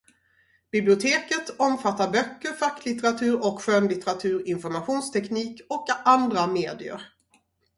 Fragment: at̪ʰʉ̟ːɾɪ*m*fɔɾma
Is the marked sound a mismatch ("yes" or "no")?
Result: yes